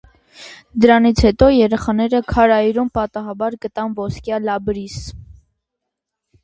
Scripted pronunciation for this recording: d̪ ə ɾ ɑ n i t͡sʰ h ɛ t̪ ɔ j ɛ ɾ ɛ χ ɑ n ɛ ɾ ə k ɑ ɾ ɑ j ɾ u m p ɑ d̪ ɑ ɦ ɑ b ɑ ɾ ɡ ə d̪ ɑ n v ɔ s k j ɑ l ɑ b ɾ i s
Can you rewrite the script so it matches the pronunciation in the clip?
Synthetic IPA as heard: d̪ ə ɾ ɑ n i t͡sʰ h ɛ t̪ ɔ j ɛ ɾ ɛ χ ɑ n ɛ ɾ ə kʰ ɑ ɾ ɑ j ɾ u m p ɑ t̪ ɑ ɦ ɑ b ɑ ɾ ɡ ə t̪ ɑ n v ɔ s k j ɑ l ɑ b ɾ i s

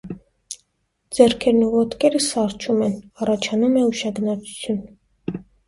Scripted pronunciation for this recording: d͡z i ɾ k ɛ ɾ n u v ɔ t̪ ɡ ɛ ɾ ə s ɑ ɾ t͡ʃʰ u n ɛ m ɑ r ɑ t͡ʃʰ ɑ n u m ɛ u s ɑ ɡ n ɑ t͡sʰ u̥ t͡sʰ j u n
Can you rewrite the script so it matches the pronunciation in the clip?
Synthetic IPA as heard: d͡z ɛ ɾ kʰ ɛ ɾ n u v ɔ t̪ k ɛ ɾ ə s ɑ ɾ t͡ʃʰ u m ɛ n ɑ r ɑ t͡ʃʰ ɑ n u m ɛ u ʃ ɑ ɡ n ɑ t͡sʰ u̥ t͡sʰ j u n

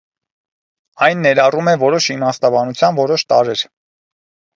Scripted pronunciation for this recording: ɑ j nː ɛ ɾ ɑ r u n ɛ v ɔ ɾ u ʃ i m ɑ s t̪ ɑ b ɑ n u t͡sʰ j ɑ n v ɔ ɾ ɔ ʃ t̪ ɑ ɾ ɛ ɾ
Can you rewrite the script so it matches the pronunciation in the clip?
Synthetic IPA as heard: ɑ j nː ɛ ɾ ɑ r u m ɛ v ɔ ɾ ɔ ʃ i m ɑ s t̪ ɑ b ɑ n u t͡sʰ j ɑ n v ɔ ɾ ɔ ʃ t̪ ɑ ɾ ɛ ɾ

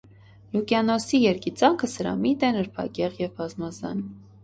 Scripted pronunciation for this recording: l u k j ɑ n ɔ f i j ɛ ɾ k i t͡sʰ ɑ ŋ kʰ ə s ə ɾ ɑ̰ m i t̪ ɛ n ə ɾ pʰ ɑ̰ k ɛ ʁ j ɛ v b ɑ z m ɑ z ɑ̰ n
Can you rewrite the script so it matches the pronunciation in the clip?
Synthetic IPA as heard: l u k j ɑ n ɔ s i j ɛ ɾ k i t͡s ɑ ŋ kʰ ə s ə ɾ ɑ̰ m i t̪ ɛ n ə ɾ pʰ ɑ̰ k ɛ ʁ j ɛ v b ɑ z m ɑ z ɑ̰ n

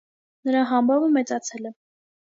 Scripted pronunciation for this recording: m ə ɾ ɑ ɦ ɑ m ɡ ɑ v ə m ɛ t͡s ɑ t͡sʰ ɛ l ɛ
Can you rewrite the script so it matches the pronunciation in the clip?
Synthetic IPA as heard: n ə ɾ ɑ ɦ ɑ m b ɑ v ə m ɛ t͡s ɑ t͡sʰ ɛ l ɛ

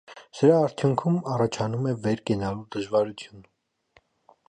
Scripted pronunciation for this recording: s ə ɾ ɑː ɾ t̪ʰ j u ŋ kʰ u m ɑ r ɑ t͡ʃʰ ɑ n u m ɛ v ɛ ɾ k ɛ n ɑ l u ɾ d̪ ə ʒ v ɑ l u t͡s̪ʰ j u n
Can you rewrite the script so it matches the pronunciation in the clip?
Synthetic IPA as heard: s ə ɾ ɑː ɾ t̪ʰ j u ŋ kʰ u m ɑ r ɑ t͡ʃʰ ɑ n u m ɛ v ɛ ɾ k ɛ n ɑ l u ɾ d̪ ə ʒ v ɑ ɾ u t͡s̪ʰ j u n

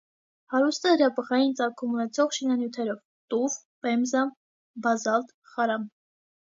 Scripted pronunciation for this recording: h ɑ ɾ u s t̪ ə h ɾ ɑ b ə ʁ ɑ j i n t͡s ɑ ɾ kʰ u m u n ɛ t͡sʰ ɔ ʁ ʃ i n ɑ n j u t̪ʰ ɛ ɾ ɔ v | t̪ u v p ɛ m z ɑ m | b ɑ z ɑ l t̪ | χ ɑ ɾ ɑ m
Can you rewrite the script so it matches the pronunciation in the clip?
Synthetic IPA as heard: h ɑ ɾ u s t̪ ə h ɾ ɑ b ə ʁ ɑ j i n t͡s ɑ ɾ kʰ u m u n ɛ t͡sʰ ɔ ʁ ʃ i n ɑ n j u t̪ʰ ɛ ɾ ɔ v | t̪ u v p ɛ m z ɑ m | b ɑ z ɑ l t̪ | χ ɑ ɾ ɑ m

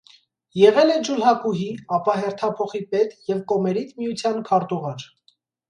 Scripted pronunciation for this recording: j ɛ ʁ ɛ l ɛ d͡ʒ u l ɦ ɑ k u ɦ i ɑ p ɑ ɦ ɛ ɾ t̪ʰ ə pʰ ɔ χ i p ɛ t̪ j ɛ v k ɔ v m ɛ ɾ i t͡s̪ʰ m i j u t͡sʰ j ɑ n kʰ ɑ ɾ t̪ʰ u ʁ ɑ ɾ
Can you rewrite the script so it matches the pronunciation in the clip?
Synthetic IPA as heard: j ɛ ʁ ɛ l ɛ d͡ʒ u l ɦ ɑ k u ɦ i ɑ p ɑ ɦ ɛ ɾ t̪ʰ ɑ pʰ ɔ χ i p ɛ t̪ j ɛ v k ɔ m ɛ ɾ i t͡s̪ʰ m i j u t͡sʰ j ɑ n kʰ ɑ ɾ t̪ u ʁ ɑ ɾ

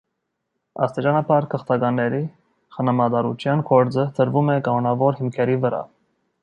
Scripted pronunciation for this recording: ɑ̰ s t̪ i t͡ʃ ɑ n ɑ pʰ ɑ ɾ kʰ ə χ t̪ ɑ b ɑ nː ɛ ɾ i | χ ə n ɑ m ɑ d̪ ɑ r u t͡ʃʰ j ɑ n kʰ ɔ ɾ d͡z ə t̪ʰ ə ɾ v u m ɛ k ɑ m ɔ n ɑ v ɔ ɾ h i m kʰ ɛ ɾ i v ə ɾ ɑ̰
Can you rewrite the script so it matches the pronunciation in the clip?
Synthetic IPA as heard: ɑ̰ s t̪ i t͡ʃ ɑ n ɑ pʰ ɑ ɾ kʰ ə χ t̪ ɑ ɡ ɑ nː ɛ ɾ i | χ ə n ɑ m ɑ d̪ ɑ ɾ u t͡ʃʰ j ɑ n kʰ ɔ ɾ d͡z ə t̪ʰ ə ɾ v u m ɛ k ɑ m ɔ n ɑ v ɔ ɾ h i m kʰ ɛ ɾ i v ə ɾ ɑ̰

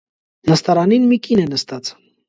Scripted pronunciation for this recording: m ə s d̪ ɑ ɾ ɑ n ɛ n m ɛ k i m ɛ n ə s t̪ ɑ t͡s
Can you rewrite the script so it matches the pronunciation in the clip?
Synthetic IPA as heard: n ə s t̪ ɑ ɾ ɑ n i n m i k i n ɛ n ə s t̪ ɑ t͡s

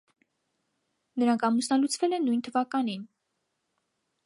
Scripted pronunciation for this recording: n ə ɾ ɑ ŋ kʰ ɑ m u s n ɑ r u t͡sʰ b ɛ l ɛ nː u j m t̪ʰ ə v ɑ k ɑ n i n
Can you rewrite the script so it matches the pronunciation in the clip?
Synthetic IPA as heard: n ə ɾ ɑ ŋ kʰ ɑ m u s n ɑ l u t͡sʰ v ɛ l ɛ nː u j n t̪ʰ ə v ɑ k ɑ n i n

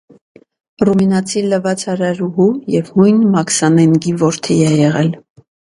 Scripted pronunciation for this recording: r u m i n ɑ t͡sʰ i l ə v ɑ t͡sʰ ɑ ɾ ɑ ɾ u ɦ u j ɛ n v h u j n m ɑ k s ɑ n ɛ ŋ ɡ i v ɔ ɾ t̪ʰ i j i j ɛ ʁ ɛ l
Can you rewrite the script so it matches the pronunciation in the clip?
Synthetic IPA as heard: r u m i n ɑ t͡sʰ i l ə v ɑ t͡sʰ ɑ ɾ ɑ ɾ u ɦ u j ɛ v h u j n m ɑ k s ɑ n ɛ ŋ ɡ i v ɔ ɾ t̪ʰ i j ɛ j ɛ ʁ ɛ l

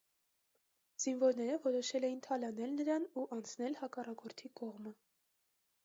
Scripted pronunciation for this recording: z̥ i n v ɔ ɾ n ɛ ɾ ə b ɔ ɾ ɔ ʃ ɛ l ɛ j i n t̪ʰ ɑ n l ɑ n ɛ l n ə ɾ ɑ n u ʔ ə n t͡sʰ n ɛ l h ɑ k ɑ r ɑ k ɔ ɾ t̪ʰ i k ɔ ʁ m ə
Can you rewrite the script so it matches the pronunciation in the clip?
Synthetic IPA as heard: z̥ i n v ɔ ɾ n ɛ ɾ ə v ɔ ɾ ɔ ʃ ɛ l ɛ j i n t̪ʰ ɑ l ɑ n ɛ l n ə ɾ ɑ n u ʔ ɑ n t͡sʰ n ɛ l h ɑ k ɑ r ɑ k ɔ ɾ t̪ʰ i k ɔ ʁ m ə

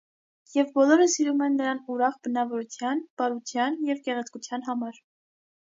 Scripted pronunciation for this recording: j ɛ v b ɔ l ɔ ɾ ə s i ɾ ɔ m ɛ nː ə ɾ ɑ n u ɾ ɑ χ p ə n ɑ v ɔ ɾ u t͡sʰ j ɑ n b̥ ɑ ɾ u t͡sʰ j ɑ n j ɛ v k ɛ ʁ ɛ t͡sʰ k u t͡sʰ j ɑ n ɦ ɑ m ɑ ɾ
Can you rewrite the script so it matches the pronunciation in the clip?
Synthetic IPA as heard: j ɛ v b ɔ l ɔ ɾ ə s i ɾ u m ɛ nː ə ɾ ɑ n u ɾ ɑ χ b ə n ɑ v ɔ ɾ u t͡sʰ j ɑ n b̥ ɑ ɾ u t͡sʰ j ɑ n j ɛ v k ɛ ʁ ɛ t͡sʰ k u t͡sʰ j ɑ n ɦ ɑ m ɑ ɾ

